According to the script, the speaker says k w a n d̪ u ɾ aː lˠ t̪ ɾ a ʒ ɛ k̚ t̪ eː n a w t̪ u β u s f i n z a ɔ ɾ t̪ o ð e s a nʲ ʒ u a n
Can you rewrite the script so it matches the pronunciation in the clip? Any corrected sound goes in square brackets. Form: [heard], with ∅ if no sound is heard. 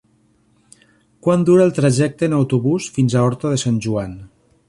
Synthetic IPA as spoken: k w a n d̪ u ɾ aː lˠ t̪ ɾ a ʒ ɛ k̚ t̪ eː n a w t̪ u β u s f i n z a ɔ ɾ t̪ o ð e s a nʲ ʒ u a n